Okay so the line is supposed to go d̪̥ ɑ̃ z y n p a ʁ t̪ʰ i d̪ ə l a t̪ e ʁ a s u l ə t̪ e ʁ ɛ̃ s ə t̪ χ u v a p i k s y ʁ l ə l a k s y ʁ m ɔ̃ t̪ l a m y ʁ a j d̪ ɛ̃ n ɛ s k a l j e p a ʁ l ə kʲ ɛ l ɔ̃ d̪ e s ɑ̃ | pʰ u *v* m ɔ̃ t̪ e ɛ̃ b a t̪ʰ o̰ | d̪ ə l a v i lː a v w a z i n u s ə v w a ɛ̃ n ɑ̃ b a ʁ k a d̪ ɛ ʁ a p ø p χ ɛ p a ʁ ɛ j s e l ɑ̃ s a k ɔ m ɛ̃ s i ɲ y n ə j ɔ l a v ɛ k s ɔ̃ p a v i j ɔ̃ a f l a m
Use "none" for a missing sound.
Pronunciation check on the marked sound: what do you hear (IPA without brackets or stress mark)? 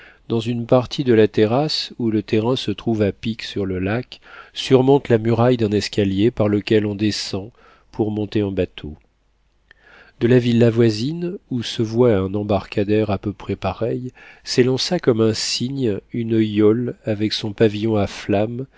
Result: ʁ